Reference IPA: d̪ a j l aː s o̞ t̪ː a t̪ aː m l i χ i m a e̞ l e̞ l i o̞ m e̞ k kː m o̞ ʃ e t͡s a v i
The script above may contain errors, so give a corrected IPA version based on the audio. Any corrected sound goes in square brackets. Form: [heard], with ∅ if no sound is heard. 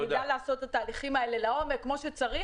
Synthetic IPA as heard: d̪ a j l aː s o̞ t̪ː a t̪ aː [∅] l i χ i m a e̞ l e̞ l [a] o̞ m e̞ k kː m o̞ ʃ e t͡s a [ʁ] i